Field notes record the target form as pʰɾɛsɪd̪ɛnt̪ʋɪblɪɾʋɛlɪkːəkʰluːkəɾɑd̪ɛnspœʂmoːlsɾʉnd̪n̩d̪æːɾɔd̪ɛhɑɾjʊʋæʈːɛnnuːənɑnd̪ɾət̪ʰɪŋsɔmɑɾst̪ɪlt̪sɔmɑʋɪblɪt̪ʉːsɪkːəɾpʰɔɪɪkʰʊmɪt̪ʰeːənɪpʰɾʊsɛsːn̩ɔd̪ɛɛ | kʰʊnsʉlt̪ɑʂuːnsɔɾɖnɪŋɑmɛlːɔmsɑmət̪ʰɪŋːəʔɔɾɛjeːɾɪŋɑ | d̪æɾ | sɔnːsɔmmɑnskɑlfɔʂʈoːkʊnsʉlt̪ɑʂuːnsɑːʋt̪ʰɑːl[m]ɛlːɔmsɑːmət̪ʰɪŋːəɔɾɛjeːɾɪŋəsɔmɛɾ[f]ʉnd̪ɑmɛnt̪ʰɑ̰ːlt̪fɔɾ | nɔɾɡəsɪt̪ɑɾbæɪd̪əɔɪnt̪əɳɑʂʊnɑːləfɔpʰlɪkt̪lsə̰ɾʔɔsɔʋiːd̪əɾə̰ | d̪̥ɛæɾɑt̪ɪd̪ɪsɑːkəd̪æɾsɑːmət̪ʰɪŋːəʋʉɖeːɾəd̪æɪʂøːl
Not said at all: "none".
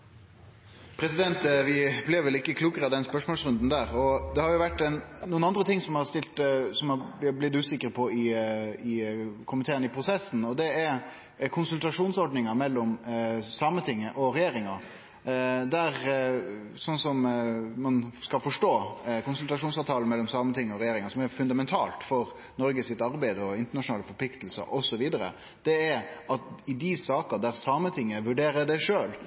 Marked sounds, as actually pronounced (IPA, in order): m, f

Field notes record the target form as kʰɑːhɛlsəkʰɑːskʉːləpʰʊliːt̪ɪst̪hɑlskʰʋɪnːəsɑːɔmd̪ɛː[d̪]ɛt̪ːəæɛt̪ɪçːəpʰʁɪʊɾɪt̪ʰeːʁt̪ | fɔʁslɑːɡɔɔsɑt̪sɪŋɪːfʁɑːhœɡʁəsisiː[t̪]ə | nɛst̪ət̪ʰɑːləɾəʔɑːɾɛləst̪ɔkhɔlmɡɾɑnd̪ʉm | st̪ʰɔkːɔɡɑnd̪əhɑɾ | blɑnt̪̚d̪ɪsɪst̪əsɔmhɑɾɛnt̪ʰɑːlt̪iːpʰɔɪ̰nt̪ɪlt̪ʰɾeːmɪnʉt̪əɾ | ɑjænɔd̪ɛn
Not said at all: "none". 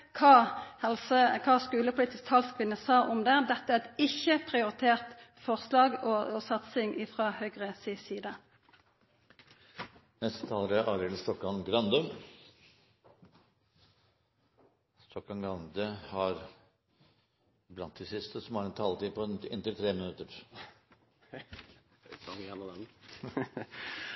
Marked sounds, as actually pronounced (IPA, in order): d̪, d̪

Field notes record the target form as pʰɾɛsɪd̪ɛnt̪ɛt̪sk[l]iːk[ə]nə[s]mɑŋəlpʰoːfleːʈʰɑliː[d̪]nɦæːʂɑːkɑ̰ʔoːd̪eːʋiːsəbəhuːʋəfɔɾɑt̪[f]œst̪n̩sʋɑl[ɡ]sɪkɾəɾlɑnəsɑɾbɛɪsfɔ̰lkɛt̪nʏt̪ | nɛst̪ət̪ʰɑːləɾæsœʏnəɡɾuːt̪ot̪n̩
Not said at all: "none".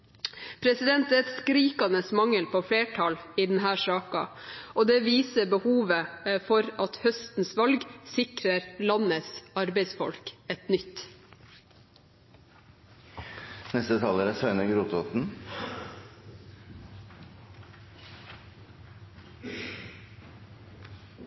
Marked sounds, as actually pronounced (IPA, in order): ɾ, ɑ, s, d̪, h, ɡ

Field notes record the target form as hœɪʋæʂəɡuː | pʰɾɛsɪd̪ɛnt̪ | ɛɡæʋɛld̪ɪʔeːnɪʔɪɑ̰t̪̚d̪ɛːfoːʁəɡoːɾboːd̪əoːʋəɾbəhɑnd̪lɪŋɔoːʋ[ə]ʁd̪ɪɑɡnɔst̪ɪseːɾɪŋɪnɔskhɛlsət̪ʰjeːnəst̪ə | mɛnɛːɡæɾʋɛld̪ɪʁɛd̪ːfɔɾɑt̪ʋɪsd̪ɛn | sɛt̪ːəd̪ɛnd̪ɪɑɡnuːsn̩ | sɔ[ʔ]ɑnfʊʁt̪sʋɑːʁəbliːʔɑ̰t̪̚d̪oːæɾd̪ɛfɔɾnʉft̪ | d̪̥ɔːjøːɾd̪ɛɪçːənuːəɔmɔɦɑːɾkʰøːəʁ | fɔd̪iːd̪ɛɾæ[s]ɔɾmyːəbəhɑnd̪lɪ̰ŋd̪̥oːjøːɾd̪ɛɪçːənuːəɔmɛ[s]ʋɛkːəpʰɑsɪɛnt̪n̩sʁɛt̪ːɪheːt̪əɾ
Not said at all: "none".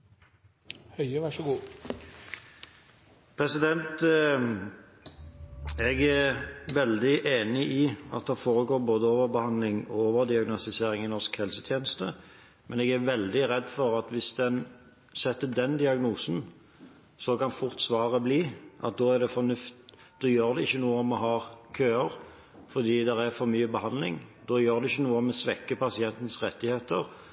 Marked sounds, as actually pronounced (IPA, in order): ə, k, f, s

